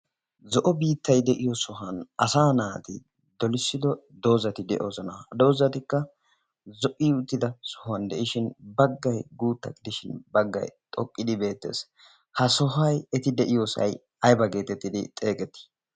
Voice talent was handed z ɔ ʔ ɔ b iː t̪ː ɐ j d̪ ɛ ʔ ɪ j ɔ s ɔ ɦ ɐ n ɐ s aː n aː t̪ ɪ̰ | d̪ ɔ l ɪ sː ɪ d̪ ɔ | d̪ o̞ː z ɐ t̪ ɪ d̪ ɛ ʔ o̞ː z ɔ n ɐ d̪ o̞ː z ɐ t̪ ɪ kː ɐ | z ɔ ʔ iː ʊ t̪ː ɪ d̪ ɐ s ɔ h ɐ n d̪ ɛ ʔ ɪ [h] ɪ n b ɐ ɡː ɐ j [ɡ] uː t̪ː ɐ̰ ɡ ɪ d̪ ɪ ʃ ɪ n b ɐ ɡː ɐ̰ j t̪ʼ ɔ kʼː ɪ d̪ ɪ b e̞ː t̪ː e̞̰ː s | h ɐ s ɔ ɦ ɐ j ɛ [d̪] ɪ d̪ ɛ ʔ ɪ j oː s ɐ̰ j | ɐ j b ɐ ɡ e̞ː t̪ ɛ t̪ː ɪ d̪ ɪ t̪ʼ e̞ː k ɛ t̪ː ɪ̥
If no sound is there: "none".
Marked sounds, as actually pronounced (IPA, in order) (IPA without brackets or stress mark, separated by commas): ʃ, ɡ, t̪